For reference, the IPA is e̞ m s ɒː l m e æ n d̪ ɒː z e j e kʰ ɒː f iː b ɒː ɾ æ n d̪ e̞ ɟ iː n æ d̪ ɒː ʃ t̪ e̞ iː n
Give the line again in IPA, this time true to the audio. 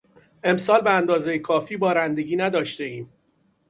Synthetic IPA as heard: e̞ m s ɒː l b e æ n d̪ ɒː z e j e kʰ ɒː f iː b ɒː ɾ æ n d̪ e̞ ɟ iː n æ d̪ ɒː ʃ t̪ e̞ iː m